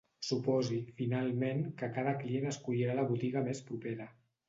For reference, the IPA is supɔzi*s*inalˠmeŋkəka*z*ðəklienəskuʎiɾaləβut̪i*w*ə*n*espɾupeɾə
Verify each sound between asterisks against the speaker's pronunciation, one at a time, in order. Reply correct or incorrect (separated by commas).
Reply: incorrect, incorrect, incorrect, incorrect